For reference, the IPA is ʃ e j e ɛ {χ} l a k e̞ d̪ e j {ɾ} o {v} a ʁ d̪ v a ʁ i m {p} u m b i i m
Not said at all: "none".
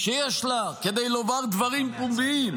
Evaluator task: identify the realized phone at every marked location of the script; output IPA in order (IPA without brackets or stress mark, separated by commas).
ʃ, l, v, p